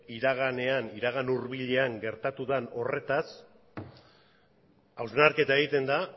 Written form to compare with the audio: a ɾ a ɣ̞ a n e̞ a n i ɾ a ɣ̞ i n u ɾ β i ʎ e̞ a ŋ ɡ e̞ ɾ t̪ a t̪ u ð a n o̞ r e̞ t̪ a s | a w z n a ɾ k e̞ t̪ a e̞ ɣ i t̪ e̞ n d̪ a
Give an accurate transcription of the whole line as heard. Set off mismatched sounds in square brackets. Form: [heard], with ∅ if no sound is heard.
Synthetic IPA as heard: [i] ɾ a ɣ̞ a n e̞ a n i ɾ a ɣ̞ [a] n u ɾ β i ʎ e̞ a ŋ ɡ e̞ ɾ t̪ a t̪ u ð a n o̞ r e̞ t̪ a s | a w z n a ɾ k e̞ t̪ a e̞ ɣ i t̪ e̞ n d̪ a